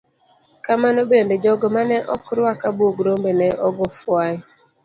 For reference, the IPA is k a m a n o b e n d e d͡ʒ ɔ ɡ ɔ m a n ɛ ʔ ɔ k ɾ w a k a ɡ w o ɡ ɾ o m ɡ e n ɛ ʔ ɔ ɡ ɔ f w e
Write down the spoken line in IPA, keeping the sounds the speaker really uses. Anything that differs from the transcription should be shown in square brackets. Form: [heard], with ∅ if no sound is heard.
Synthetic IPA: k a m a n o b e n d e d͡ʒ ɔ ɡ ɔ m a n ɛ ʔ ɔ k ɾ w a k a [b] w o ɡ ɾ o m [b] e n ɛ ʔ ɔ ɡ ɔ f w [a]